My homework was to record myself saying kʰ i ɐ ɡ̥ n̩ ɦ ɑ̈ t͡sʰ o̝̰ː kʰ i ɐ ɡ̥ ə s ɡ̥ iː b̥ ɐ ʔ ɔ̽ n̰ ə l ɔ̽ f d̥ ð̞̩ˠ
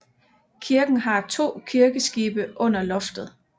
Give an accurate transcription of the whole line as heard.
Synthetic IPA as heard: kʰ i ɐ ɡ̥ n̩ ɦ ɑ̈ t͡sʰ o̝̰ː kʰ i ɐ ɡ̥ ə s ɡ̥ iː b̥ ə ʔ ɔ̽ n̰ ɐ l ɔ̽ f d̥ ð̞̩ˠ